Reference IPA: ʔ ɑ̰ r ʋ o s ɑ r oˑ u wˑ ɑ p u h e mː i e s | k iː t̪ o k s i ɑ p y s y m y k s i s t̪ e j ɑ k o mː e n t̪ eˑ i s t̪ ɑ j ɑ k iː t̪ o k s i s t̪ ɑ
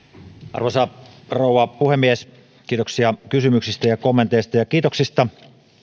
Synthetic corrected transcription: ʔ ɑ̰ r ʋ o s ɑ r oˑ u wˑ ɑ p u h e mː i e s | k iː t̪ o k s i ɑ k y s y m y k s i s t̪ æ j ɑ k o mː e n t̪ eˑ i s t̪ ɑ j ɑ k iː t̪ o k s i s t̪ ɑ